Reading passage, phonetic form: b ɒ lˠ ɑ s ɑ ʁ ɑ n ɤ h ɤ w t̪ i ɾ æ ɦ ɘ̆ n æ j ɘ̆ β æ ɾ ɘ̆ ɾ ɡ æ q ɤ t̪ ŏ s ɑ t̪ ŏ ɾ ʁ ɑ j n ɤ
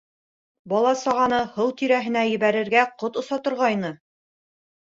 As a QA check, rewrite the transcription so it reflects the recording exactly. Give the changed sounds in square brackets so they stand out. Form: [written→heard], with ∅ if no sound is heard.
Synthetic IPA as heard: b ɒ lˠ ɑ s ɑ ʁ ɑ n ɤ h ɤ w t̪ i ɾ æ ɦ ɘ̆ n æ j ɘ̆ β æ ɾ ɘ̆ ɾ ɡ æ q [ɤ→o] t̪ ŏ s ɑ t̪ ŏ ɾ ʁ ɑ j n ɤ